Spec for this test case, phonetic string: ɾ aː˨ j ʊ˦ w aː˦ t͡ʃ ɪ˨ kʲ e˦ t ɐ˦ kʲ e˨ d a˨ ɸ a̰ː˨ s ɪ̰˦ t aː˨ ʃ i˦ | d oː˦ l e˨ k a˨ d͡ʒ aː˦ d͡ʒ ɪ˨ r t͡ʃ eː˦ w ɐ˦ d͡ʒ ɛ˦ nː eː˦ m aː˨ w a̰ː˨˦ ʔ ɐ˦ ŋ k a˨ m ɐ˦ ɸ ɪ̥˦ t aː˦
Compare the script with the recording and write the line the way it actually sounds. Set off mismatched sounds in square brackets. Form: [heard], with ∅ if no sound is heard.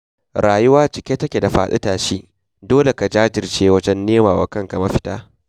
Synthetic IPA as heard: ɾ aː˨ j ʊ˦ w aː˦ t͡ʃ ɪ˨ kʲ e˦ t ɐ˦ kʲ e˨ d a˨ ɸ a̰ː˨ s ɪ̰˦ t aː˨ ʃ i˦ | d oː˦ l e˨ k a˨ d͡ʒ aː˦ d͡ʒ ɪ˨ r t͡ʃ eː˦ w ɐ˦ d͡ʒ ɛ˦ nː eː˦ m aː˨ w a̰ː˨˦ [k] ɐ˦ ŋ k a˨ m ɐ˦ ɸ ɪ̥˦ t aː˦